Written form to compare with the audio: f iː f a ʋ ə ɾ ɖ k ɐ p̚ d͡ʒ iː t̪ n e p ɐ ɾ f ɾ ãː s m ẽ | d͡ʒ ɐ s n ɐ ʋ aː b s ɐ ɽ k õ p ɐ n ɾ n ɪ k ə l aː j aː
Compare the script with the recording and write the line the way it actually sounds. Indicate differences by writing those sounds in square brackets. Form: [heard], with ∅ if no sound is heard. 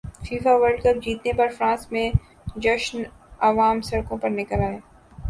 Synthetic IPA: f iː f a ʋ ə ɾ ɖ k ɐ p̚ d͡ʒ iː t̪ n e p ɐ ɾ f ɾ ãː s m ẽ | d͡ʒ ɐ [ʃ] n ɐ ʋ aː [m] s ɐ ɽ k õ p ɐ [∅] ɾ n ɪ k ə l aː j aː